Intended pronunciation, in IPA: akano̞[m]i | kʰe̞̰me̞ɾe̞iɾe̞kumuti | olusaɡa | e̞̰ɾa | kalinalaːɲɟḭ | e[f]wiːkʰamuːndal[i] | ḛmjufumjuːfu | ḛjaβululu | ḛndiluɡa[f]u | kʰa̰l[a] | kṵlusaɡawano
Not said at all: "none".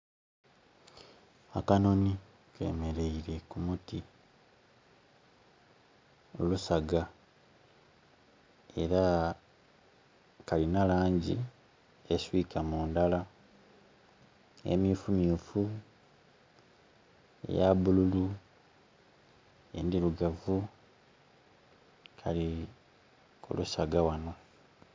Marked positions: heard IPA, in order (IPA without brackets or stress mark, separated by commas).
n, s, a, v, i